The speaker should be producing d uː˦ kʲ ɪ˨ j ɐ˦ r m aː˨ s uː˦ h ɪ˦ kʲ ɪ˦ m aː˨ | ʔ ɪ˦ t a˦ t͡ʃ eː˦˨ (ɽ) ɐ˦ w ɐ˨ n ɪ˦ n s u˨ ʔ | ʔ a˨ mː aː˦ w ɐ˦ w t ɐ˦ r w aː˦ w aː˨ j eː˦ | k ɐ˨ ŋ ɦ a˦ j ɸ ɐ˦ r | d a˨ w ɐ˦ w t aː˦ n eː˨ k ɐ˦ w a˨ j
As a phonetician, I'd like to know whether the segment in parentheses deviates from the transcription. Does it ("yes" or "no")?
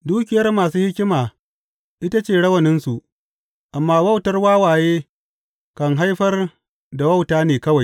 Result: no